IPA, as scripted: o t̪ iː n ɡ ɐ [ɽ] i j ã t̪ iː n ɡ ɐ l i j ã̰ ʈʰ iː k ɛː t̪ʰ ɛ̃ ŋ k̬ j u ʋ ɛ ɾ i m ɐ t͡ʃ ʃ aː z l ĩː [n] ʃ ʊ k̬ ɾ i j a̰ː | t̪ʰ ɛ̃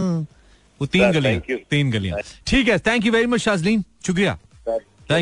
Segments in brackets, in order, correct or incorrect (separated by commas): incorrect, correct